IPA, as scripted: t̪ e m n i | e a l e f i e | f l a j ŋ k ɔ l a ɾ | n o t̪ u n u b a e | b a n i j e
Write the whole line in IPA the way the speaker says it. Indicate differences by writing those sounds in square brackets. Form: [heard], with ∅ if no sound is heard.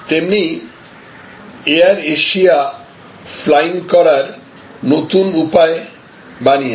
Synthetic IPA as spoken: t̪ e m n i | e a [ɾ] e [ʃ] i [a] | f l a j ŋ k ɔ [ɾ] a ɾ | n o t̪ u n u [p] a e | b a n i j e